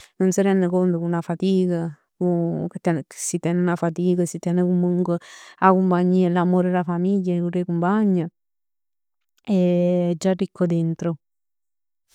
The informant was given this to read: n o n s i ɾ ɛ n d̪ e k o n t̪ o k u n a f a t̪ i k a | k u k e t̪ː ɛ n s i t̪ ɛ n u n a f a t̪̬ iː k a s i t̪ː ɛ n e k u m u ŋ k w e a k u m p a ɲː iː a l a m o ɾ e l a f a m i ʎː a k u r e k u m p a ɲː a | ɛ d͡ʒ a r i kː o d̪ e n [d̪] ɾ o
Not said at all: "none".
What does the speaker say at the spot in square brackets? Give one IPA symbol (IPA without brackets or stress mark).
t̪